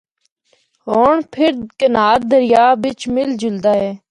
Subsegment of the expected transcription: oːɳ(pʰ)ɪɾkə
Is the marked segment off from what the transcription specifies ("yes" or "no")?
no